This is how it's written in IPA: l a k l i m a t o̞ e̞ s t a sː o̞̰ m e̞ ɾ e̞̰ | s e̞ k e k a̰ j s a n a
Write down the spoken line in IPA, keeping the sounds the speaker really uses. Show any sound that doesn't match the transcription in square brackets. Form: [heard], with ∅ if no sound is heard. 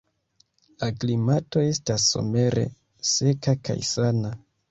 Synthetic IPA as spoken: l a k l i m a t o̞ e̞ s t a sː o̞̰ m e̞ ɾ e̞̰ | s e̞ k [a] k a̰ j s a n a